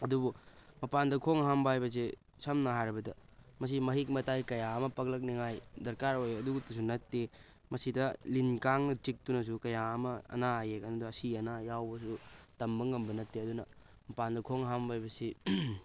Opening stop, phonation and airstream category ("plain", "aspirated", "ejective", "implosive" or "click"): plain